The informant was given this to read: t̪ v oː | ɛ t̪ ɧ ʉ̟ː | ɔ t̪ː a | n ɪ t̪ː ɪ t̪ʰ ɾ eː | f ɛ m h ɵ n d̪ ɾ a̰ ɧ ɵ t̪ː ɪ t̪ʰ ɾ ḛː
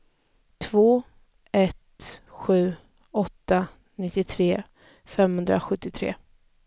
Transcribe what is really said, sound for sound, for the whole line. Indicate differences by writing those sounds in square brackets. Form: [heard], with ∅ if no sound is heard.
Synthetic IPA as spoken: [t̪ʰ] v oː | ɛ t̪ ɧ ʉ̟ː | ɔ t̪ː a | n ɪ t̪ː ɪ t̪ʰ ɾ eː | f ɛ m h ɵ n d̪ ɾ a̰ ɧ ɵ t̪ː ɪ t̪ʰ ɾ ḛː

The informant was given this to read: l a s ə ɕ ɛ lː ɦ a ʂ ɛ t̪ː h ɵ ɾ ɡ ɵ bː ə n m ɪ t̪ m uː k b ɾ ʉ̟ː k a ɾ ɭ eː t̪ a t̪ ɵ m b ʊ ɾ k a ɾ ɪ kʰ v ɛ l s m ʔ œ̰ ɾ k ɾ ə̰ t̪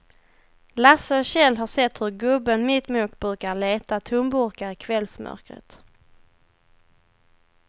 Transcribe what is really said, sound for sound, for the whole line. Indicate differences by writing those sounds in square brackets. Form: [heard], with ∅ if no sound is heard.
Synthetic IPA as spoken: l a s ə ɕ ɛ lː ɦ a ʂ ɛ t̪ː h ɵ ɾ ɡ ɵ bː ə n m ɪ t̪ m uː k b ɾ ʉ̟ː k a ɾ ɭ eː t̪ a [t̪ʰ] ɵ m b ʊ ɾ k a ɾ ɪ kʰ v ɛ l s m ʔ œ̰ ɾ k ɾ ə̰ t̪

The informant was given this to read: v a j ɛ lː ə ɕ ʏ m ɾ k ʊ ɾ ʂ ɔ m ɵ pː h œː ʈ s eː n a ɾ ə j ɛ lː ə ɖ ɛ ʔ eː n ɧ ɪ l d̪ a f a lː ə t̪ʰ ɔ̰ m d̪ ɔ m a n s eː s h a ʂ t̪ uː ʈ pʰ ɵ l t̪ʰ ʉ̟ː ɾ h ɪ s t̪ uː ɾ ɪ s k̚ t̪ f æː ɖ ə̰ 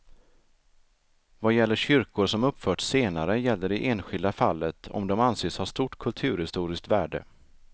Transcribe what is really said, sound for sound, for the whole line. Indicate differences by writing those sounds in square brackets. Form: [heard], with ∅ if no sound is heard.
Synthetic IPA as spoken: v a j ɛ lː ə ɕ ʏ [∅] ɾ k ʊ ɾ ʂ ɔ m ɵ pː [f] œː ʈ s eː n a ɾ ə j ɛ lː ə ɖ ɛ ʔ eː n ɧ ɪ l d̪ a f a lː ə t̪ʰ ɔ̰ m d̪ ɔ m a n s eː s h a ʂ t̪ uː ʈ [kʰ] ɵ l t̪ʰ ʉ̟ː ɾ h ɪ s t̪ uː ɾ ɪ s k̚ t̪ [v] æː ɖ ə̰

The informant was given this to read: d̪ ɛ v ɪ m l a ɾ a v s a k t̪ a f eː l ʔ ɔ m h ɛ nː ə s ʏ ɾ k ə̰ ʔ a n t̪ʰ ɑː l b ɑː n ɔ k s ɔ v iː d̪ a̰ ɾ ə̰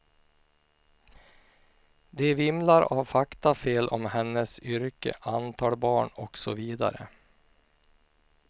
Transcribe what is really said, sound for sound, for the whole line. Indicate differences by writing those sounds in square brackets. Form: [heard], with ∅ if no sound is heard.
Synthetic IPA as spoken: d̪ ɛ v ɪ m l a ɾ a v [f] a k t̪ a f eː l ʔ ɔ m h ɛ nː ə s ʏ ɾ k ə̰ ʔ a n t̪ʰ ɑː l b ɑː [ɳ] ɔ k s ɔ v iː d̪ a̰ ɾ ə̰

